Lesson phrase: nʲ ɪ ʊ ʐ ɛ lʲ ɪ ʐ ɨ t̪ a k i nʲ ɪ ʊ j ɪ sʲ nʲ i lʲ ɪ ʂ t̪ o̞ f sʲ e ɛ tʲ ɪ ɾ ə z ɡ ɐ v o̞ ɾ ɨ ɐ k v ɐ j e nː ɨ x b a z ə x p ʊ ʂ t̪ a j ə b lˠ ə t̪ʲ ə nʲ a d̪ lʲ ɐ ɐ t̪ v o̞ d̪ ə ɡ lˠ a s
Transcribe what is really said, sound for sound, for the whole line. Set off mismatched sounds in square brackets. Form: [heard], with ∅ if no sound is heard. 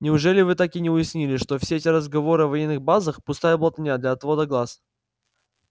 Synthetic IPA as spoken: nʲ ɪ ʊ ʐ ɛ lʲ ɪ [v] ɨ t̪ a k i nʲ ɪ ʊ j ɪ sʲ nʲ i lʲ ɪ ʂ t̪ o̞ f sʲ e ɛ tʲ ɪ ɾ ə z ɡ ɐ v o̞ ɾ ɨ ɐ [∅] v ɐ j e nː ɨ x b a z ə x p ʊ [s] t̪ a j ə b lˠ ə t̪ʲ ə nʲ a d̪ lʲ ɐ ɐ t̪ v o̞ d̪ ə ɡ lˠ a s